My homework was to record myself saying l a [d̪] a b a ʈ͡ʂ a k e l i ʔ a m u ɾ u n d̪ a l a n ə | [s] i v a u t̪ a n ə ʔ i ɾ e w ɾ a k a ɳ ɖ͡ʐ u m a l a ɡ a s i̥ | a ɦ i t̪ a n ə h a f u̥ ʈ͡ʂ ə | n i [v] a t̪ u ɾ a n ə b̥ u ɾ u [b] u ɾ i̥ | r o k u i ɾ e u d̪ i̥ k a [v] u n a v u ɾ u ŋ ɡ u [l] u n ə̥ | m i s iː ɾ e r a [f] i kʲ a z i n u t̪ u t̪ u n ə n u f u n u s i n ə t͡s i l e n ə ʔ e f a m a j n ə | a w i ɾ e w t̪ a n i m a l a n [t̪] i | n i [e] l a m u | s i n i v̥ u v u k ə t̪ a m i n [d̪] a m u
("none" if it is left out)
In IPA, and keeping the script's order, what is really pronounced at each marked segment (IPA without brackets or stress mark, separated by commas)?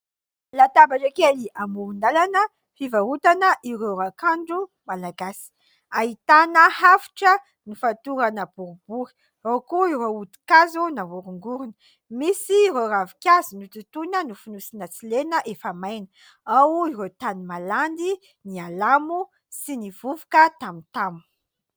t̪, f, f, b, z, ɾ, v, d̪, a, t̪